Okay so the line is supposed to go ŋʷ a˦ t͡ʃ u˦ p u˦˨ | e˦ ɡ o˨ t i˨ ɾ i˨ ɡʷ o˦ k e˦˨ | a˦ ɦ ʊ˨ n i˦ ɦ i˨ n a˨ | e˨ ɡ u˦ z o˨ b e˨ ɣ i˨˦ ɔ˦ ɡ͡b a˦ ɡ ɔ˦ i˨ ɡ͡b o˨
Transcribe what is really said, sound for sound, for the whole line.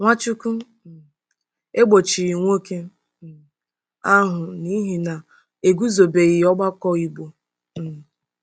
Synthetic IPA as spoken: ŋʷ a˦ t͡ʃ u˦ k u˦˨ | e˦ ɡ͡b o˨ t͡ʃ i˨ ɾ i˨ ŋʷ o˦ k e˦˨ | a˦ ɦ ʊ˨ n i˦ ɦ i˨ n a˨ | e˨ ɡ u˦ z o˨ b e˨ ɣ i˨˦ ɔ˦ ɡ͡b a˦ k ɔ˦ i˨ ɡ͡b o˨